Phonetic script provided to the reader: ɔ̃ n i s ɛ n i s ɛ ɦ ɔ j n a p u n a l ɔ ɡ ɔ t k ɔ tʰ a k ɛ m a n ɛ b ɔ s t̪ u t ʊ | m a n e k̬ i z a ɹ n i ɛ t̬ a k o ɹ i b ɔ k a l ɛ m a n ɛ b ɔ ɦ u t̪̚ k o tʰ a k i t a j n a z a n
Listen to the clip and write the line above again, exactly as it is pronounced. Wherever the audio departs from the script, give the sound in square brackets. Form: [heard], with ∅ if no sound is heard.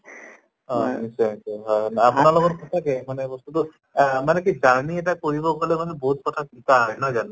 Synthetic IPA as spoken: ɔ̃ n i s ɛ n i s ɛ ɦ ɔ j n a p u n a l ɔ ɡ ɔ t k ɔ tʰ a k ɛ m a n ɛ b ɔ s t̪ u t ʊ | m a n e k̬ i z a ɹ n i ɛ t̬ a k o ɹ i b ɔ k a l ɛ m a n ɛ b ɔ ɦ u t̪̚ k [ɔ] tʰ a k i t a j n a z a n